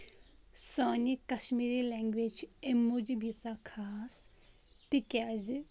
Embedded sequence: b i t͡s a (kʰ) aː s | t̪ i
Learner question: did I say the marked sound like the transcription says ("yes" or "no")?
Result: yes